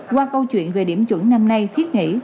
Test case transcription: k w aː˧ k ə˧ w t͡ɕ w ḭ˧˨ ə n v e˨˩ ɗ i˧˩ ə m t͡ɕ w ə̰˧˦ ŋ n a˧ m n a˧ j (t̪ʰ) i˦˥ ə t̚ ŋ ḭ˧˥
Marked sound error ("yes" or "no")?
no